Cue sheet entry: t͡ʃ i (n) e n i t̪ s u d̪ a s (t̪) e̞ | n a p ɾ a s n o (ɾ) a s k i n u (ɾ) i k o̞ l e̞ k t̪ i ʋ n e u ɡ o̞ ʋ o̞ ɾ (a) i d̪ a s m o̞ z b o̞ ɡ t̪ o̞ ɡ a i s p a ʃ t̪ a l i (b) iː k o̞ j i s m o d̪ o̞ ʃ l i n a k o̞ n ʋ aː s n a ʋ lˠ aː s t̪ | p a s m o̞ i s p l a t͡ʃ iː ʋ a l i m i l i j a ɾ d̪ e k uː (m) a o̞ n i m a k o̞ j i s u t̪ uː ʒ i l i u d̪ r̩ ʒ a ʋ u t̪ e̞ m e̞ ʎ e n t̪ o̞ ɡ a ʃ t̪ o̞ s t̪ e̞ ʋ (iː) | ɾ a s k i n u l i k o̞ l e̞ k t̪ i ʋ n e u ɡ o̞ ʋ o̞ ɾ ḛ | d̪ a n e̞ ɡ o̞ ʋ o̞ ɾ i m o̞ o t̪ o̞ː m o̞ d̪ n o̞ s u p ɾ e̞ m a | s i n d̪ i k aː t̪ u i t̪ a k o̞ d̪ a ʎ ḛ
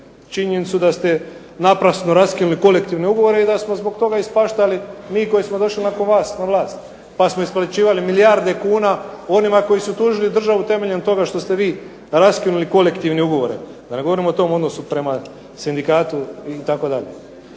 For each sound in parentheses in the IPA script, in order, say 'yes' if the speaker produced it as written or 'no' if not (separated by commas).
no, yes, yes, no, no, no, no, yes